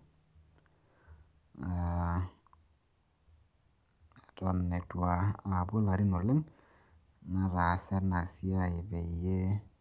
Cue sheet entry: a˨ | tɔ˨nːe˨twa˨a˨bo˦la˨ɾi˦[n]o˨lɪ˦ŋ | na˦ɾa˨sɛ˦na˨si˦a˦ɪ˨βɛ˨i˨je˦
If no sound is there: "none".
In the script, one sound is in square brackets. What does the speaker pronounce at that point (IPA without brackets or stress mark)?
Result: n